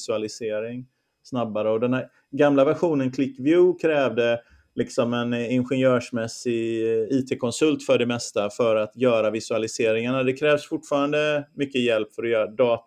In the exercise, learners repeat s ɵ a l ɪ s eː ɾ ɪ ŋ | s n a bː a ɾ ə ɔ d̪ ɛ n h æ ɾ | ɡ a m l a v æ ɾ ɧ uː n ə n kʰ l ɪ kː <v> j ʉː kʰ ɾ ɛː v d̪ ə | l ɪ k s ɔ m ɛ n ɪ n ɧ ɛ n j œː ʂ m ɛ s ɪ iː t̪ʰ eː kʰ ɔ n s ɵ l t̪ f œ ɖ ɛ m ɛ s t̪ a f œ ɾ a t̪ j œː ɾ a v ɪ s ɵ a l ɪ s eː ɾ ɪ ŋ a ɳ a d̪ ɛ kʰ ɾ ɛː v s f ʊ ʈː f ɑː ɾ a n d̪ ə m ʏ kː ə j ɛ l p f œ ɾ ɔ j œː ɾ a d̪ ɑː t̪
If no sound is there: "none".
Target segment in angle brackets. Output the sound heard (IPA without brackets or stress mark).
v